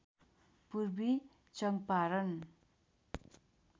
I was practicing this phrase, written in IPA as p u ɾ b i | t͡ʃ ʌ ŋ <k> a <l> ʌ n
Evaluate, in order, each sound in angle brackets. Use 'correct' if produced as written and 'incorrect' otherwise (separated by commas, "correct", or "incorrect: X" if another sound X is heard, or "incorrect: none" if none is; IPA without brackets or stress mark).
incorrect: p, incorrect: ɾ